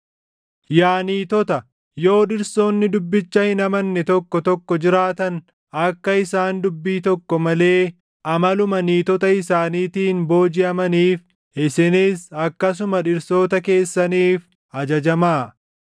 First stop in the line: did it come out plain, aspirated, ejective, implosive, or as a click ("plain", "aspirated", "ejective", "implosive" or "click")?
plain